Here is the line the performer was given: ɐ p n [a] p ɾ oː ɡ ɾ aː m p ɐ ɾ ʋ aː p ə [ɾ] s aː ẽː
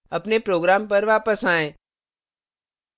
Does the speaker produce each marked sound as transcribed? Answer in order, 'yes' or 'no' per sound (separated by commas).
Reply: no, no